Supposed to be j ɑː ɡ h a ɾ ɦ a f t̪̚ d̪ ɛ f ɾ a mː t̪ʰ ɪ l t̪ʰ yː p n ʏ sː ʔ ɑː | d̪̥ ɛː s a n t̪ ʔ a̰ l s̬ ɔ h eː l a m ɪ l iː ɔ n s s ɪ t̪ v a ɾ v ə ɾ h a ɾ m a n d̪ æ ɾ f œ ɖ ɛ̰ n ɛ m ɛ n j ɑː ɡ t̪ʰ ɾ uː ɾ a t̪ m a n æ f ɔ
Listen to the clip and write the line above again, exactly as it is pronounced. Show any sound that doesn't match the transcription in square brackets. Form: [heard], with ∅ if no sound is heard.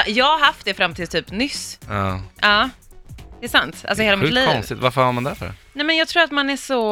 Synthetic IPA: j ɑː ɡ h a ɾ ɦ a f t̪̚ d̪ ɛ f ɾ a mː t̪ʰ ɪ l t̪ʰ yː p n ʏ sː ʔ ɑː | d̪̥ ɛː s a n t̪ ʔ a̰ l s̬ ɔ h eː l a m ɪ l iː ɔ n s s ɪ t̪ v a ɾ [f] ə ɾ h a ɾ m a n d̪ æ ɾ f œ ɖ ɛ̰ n ɛ m ɛ n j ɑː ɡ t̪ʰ ɾ uː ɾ a t̪ m a n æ [ʂ] ɔ